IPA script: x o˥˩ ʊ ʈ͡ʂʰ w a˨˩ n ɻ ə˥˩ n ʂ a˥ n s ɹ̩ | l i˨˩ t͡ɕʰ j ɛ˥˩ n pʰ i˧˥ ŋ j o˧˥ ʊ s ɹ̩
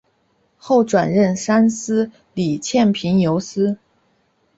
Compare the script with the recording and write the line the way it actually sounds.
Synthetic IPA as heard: x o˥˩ ʊ ʈ͡ʂ w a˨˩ n ɻ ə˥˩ n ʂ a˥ n s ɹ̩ | l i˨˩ t͡ɕʰ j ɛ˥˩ n pʰ i˧˥ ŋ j o˧˥ ʊ s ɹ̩

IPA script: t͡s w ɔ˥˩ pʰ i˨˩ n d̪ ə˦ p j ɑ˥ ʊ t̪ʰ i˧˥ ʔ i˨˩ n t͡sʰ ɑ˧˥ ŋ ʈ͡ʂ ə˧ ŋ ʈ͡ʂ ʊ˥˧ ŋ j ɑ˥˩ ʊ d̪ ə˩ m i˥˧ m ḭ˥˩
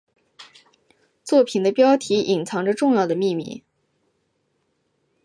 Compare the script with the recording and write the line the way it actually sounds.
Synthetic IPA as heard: t͡s w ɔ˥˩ pʰ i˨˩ n d̪ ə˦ p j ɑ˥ ʊ t̪ʰ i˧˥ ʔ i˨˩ n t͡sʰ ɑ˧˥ ŋ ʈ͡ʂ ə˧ ʈ͡ʂ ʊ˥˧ ŋ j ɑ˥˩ ʊ d̪ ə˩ m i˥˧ m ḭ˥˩

